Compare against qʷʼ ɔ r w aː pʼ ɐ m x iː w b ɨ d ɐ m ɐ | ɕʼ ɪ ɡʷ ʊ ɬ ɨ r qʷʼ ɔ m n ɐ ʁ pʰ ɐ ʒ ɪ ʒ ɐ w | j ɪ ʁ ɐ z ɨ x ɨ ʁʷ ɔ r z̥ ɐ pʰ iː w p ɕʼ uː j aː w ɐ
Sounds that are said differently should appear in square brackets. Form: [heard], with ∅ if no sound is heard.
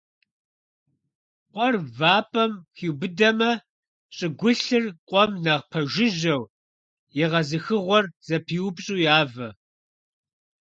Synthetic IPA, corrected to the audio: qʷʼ ɔ r [v] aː pʼ ɐ m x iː w b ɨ d ɐ m ɐ | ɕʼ ɪ ɡʷ ʊ ɬ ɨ r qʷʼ ɔ m n ɐ ʁ pʰ ɐ ʒ ɪ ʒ ɐ w | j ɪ ʁ ɐ z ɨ x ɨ ʁʷ ɔ r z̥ ɐ pʰ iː w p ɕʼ uː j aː [v] ɐ

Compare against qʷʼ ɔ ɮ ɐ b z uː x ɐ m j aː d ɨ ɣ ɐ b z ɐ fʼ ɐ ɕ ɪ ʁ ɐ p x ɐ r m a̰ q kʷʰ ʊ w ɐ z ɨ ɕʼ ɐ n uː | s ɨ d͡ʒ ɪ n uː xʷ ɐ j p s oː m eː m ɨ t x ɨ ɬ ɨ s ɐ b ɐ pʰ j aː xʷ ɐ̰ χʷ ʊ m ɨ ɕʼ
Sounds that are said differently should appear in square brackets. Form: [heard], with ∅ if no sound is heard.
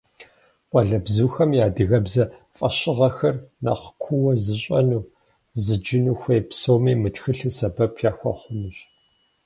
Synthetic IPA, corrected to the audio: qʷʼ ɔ ɮ ɐ b z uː x ɐ m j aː d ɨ ɣ ɐ b z ɐ fʼ ɐ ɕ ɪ ʁ ɐ [∅] x ɐ r [n] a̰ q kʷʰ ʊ w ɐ z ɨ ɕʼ ɐ n uː | [z] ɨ d͡ʒ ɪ n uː xʷ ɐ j p s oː m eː m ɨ t x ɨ ɬ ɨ s ɐ b ɐ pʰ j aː xʷ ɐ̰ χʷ ʊ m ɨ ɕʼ

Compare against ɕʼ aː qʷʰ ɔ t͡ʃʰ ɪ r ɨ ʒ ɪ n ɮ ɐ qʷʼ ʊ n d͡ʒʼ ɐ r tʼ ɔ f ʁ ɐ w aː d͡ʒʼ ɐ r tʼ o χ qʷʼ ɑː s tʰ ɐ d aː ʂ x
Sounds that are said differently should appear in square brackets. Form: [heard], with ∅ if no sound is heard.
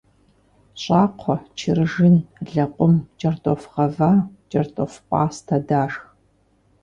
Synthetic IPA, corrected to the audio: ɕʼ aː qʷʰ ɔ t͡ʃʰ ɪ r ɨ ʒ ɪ n ɮ ɐ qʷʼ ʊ [m] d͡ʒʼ ɐ r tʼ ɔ f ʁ ɐ [v] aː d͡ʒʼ ɐ r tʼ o [f] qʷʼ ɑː s tʰ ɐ d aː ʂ x

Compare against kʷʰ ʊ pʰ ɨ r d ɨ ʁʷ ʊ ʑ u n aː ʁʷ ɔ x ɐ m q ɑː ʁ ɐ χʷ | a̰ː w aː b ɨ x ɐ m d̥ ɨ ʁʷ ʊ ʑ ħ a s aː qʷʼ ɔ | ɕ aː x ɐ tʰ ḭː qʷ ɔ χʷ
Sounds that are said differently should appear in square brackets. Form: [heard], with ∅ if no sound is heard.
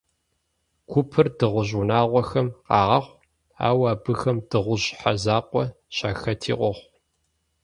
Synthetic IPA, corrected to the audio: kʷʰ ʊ pʰ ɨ r d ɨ ʁʷ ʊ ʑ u n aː ʁʷ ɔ x ɐ m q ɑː ʁ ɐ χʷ | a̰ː w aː b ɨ x ɐ m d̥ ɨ ʁʷ ʊ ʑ ħ a [z] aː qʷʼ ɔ | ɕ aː x ɐ tʰ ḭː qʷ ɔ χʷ

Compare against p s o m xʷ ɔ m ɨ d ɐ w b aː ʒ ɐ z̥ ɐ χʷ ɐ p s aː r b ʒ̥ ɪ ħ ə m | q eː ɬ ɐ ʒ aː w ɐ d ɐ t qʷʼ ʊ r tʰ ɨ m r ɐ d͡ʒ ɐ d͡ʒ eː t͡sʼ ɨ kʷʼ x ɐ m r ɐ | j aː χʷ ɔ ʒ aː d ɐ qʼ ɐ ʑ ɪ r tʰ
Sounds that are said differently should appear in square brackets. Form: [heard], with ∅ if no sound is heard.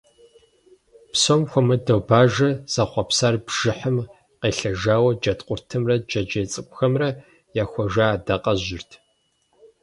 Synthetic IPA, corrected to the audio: p s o m xʷ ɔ m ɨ d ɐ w b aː ʒ ɐ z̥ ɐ χʷ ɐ p s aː r b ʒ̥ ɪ ħ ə m | q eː ɬ ɐ ʒ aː w ɐ [d͡ʒ] ɐ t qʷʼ ʊ r tʰ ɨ m r ɐ d͡ʒ ɐ d͡ʒ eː t͡sʼ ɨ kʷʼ x ɐ m r ɐ | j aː [xʷ] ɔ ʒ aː d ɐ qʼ ɐ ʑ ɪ r tʰ

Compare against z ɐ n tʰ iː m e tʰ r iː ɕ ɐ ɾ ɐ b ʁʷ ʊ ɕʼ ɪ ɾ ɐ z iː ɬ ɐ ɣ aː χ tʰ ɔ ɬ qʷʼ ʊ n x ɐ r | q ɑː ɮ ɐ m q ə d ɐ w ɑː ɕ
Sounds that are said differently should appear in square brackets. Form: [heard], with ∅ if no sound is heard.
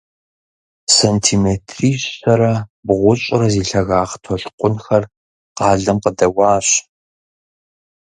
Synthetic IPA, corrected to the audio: [s] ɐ n tʰ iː m e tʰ r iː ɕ ɐ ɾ ɐ b ʁʷ ʊ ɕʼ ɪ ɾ ɐ z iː ɬ ɐ ɣ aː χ tʰ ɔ ɬ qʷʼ ʊ n x ɐ r | q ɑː ɮ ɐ m q ə d ɐ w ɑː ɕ

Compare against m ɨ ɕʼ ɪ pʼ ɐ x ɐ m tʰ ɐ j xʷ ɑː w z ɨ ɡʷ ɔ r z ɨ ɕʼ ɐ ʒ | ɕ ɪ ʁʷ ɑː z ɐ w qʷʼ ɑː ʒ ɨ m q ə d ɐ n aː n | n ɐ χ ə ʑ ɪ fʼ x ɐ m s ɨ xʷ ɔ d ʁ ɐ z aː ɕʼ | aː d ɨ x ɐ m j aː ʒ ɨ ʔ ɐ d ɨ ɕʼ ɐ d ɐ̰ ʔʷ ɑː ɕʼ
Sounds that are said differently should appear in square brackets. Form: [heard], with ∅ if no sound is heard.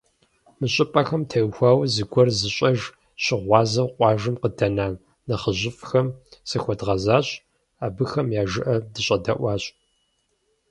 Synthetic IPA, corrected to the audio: m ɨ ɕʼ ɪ pʼ ɐ x ɐ m tʰ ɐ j xʷ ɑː w z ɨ ɡʷ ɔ r z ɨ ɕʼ ɐ ʒ | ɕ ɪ ʁʷ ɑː z ɐ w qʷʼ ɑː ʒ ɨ m q ə d ɐ n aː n | n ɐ χ ə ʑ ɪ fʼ x ɐ m s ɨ xʷ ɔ d ʁ ɐ z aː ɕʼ | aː [b] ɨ x ɐ m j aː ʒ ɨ ʔ ɐ d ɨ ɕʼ ɐ d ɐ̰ ʔʷ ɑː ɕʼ

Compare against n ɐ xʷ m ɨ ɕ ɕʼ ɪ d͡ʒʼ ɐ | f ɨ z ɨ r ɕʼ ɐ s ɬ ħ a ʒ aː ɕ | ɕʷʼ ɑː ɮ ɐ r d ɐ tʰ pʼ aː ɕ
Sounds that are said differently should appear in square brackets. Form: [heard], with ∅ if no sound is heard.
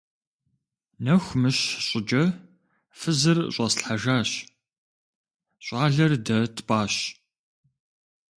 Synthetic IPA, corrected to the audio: n ɐ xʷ m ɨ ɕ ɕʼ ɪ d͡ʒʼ ɐ | f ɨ z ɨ r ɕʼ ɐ s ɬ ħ a ʒ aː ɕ | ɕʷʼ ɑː ɮ ɐ r d ɐ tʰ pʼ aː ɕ

